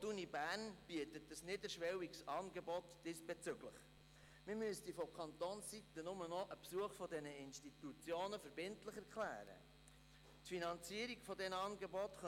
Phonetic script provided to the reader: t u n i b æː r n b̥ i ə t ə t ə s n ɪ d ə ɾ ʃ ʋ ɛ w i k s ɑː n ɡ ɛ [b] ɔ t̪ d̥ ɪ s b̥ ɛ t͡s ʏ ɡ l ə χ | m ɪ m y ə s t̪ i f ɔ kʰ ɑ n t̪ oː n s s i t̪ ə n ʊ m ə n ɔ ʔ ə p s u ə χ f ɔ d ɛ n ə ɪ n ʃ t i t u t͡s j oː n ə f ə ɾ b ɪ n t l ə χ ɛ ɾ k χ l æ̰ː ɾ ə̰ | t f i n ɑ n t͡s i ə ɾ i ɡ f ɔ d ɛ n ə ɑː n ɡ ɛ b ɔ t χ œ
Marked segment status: correct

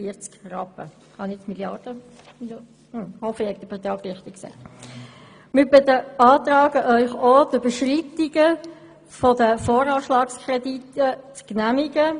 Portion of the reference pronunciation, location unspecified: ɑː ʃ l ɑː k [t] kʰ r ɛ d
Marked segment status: incorrect: s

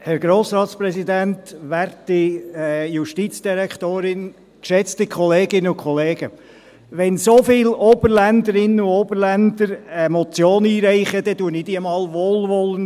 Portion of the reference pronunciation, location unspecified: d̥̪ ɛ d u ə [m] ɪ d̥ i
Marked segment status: incorrect: n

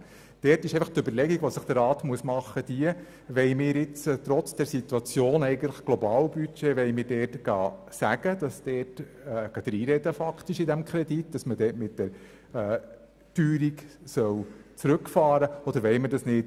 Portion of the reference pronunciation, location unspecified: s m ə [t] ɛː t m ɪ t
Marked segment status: incorrect: d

